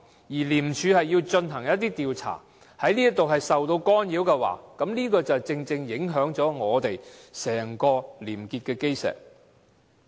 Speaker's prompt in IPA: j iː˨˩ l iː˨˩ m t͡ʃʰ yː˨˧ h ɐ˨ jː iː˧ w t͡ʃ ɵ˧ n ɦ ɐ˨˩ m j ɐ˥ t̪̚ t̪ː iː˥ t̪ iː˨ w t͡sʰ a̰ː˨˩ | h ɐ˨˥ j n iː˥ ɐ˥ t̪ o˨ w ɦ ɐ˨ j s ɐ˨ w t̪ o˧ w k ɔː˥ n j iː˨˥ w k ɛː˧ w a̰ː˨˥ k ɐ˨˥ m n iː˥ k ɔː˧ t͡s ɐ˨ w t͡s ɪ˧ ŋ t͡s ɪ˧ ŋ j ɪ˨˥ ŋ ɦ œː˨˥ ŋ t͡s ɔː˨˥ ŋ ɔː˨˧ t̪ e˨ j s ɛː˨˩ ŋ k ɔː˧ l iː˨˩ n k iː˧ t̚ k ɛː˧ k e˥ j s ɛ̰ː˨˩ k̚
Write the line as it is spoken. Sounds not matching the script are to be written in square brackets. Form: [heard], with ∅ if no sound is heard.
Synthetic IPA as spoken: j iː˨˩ l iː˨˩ m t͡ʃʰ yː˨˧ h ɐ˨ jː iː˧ w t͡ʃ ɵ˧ n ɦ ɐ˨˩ [ŋ] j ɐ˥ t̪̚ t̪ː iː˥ t̪ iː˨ w t͡sʰ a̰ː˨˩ | h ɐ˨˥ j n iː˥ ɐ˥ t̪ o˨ w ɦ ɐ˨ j s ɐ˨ w t̪ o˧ w k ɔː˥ n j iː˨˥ w k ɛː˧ w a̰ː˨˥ k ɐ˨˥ m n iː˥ k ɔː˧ t͡s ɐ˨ w t͡s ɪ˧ ŋ t͡s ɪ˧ ŋ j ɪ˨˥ ŋ ɦ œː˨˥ ŋ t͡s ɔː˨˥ ŋ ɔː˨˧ t̪ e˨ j s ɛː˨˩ ŋ k ɔː˧ l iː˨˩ [m] k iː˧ t̚ k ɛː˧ k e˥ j s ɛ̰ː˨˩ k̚